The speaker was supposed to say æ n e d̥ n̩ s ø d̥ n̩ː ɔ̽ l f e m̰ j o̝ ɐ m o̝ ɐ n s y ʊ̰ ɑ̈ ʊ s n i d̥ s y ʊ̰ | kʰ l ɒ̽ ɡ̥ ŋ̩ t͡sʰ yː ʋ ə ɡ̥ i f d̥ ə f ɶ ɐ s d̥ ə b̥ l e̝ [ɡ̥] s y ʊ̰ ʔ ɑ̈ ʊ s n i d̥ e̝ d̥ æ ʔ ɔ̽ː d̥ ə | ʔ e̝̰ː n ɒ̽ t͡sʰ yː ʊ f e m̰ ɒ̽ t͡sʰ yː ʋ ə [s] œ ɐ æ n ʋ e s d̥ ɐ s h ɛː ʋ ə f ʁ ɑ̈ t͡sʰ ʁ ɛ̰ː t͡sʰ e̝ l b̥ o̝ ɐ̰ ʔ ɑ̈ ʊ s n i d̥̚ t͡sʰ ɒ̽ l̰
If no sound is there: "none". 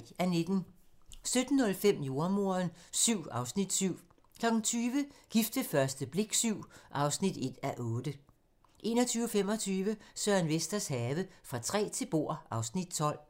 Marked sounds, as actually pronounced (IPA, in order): ɡ̥, s

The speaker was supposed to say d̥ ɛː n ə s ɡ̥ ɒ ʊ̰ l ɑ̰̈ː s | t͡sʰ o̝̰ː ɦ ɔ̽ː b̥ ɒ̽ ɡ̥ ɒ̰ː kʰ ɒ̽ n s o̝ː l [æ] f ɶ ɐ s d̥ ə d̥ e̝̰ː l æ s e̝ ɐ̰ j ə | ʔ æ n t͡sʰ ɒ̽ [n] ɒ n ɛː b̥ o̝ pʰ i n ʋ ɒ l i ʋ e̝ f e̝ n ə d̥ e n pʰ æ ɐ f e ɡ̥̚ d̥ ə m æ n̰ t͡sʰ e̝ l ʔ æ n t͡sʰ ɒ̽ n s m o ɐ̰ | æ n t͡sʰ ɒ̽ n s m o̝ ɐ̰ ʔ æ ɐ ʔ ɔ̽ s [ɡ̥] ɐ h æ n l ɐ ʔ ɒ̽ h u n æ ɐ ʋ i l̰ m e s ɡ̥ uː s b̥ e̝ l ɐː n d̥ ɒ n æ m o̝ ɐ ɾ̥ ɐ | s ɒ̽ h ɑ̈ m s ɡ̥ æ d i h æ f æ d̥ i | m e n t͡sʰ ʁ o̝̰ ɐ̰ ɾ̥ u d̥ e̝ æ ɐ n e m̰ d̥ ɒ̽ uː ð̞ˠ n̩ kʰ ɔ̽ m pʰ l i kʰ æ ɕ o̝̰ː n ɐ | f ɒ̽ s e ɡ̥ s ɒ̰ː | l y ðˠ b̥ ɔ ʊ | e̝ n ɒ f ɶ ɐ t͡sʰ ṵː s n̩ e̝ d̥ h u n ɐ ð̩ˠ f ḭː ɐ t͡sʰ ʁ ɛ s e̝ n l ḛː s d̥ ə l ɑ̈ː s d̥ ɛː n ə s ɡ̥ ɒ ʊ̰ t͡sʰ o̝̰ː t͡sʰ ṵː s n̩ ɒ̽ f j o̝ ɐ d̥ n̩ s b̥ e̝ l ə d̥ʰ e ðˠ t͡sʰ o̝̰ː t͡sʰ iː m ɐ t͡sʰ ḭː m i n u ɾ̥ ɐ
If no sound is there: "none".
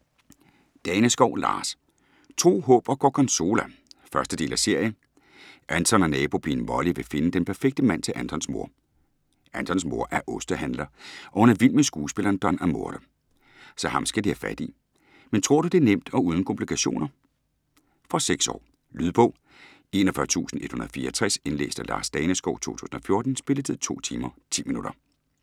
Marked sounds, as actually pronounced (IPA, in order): æ, n, d̥

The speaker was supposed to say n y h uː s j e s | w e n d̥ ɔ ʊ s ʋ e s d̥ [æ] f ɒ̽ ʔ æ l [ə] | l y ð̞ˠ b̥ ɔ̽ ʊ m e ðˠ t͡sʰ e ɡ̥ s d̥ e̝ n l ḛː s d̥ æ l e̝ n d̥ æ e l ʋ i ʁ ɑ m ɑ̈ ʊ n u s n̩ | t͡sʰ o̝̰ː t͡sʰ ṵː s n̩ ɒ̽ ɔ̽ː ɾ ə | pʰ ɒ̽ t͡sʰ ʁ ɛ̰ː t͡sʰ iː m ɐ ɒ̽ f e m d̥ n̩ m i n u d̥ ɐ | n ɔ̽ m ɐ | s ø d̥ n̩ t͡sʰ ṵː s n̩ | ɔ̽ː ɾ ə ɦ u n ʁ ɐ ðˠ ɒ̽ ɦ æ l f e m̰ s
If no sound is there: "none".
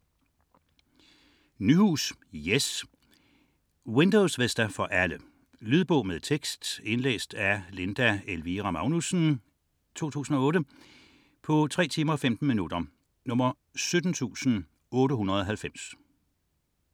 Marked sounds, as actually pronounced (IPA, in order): æ, ə

